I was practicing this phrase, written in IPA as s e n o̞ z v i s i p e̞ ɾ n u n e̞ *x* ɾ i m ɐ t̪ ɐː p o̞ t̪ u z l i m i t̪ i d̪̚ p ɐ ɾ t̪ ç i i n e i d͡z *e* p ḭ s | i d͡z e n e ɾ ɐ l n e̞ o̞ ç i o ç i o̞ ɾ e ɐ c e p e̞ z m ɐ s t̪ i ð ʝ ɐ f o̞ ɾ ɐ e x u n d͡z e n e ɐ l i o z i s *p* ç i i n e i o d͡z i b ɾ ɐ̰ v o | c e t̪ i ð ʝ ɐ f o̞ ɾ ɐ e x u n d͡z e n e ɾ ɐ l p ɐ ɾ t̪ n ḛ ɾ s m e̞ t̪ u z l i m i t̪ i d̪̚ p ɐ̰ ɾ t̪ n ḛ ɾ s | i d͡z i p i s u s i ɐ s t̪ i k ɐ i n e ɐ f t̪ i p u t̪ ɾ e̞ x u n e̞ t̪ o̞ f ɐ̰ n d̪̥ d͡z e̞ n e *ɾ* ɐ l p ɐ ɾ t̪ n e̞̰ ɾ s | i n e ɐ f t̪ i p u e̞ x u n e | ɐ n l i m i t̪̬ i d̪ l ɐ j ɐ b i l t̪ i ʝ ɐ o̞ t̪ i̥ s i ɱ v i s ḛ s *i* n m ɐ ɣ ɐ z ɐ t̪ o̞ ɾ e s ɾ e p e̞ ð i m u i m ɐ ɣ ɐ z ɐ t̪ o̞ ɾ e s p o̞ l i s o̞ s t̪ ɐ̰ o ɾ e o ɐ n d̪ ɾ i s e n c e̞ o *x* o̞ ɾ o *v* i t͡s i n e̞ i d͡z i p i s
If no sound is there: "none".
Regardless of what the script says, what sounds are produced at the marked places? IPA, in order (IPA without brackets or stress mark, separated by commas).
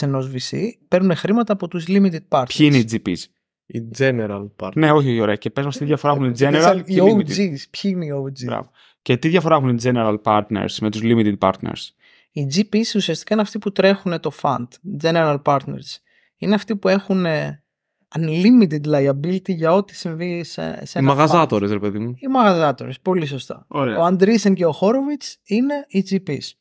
x, i, p, ɾ, e, x, v